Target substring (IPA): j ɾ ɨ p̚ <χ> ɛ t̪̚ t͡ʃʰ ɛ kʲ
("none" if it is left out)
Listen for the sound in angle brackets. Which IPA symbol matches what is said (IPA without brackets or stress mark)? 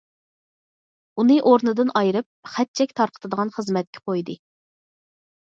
χ